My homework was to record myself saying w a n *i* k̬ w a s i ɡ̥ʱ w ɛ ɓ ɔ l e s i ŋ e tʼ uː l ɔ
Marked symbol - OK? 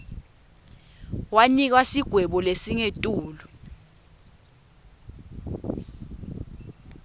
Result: yes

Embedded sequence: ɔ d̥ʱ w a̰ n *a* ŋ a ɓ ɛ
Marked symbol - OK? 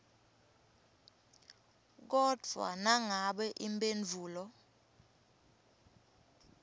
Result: yes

